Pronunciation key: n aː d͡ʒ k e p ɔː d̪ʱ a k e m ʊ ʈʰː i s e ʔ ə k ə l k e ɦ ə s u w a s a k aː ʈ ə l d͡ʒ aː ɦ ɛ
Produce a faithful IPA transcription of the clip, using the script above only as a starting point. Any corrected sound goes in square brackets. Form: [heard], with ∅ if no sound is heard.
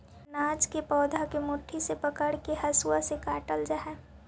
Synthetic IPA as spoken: n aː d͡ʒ k e p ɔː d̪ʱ a k e m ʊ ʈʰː i s e [p] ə k ə [ɽ] k e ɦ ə s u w a s [e] k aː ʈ ə l d͡ʒ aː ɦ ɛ